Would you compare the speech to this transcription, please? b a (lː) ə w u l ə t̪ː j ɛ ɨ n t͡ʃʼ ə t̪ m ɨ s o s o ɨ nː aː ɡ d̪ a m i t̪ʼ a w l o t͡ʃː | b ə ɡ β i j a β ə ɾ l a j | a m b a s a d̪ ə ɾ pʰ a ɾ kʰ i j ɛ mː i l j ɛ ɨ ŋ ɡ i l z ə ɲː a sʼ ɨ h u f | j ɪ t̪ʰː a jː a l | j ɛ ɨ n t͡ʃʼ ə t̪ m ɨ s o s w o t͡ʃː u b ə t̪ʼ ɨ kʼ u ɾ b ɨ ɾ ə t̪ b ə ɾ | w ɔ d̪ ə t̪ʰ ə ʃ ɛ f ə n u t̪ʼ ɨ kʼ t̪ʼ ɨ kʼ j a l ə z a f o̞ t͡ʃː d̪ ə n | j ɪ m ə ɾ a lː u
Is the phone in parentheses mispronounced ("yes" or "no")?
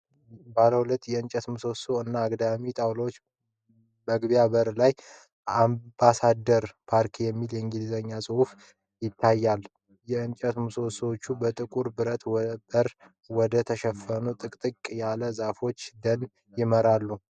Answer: yes